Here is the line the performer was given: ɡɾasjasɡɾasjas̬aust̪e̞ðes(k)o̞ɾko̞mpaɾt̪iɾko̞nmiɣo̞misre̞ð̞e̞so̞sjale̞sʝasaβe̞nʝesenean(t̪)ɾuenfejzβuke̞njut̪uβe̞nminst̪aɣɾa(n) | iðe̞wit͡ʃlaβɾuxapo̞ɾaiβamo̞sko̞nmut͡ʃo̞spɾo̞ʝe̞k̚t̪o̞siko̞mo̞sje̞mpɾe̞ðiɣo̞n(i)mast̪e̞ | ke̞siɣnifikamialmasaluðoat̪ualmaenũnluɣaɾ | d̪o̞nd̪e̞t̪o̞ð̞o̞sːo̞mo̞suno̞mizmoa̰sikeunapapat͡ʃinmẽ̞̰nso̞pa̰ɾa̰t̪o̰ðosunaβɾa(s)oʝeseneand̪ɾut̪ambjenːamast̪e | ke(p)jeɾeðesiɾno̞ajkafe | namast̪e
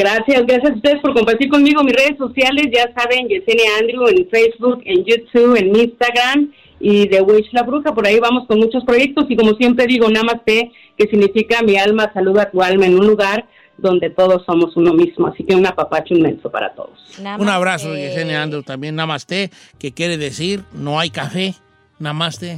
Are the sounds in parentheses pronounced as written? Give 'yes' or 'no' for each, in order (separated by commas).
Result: no, no, no, no, yes, no